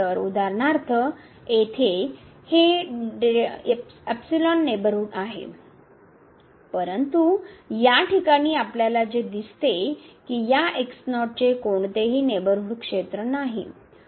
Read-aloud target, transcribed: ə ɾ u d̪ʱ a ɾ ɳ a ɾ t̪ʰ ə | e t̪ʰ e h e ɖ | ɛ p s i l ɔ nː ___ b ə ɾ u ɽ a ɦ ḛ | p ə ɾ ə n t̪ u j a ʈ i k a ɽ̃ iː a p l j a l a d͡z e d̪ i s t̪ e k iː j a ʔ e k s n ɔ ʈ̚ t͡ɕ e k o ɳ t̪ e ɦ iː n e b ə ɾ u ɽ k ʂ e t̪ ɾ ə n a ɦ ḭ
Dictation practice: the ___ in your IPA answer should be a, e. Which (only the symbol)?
e